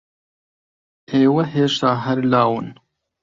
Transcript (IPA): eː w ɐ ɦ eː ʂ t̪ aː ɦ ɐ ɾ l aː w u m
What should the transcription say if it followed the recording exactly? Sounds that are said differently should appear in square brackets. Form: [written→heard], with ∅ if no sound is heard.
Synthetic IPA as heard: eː w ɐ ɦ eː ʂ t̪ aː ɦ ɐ ɾ l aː w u [m→n]